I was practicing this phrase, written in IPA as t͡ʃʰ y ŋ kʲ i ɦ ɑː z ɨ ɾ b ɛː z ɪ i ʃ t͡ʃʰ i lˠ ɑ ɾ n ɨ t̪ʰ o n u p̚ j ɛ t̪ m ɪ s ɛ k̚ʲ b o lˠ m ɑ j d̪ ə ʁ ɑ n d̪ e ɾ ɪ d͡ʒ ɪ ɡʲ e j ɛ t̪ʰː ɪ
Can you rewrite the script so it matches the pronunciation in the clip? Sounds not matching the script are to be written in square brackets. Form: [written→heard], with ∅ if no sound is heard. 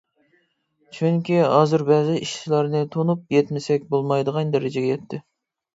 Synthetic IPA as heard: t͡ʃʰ y ŋ kʲ i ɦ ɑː z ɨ ɾ b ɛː z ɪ i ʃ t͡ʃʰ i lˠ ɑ ɾ n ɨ t̪ʰ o n u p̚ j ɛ t̪ m ɪ s ɛ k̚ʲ b o lˠ m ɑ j d̪ ə ʁ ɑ n d̪ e ɾ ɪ d͡ʒ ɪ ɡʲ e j ɛ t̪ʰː ɪ

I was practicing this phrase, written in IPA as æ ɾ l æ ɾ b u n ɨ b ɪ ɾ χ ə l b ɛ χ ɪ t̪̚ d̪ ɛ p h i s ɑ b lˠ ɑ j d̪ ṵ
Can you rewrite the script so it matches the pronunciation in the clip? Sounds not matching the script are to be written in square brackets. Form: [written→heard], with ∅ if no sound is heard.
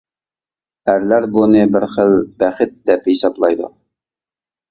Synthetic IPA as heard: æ ɾ l æ ɾ b u n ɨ b ɪ ɾ χ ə l b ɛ χ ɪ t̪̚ d̪ ɛ p h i s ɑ b lˠ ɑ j d̪ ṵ

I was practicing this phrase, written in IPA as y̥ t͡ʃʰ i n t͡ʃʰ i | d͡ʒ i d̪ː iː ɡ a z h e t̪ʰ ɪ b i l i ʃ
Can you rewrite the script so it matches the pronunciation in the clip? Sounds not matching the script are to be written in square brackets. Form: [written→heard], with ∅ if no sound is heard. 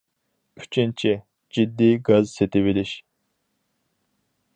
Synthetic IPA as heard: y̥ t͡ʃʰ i n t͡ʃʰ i | d͡ʒ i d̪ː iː ɡ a z [h→s] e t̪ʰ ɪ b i l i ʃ

